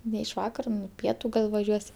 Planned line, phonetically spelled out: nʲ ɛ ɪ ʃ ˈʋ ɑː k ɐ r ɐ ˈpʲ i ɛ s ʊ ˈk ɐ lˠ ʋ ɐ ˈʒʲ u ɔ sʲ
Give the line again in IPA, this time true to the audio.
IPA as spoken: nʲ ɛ ɪ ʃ ˈʋ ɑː k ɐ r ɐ ˈpʲ i ɛ t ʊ ˈɡ ɐ lˠ ʋ ɐ ˈʒʲ u ɔ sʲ